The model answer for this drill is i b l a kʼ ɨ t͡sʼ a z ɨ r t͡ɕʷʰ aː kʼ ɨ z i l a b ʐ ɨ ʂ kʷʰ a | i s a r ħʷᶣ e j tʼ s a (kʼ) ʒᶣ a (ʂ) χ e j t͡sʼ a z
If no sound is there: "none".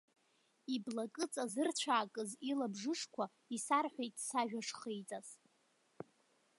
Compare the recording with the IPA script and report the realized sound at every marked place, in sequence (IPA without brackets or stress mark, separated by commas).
none, ʂ